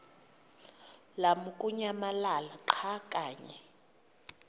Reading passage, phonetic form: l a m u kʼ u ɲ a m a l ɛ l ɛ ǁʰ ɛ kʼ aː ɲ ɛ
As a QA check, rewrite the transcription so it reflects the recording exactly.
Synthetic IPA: l a m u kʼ u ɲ a m a l a l a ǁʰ a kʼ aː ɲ ɛ